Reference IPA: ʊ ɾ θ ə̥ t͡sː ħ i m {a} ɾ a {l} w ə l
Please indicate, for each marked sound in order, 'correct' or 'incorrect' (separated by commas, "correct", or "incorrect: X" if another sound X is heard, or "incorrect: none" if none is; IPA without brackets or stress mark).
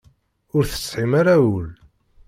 correct, incorrect: none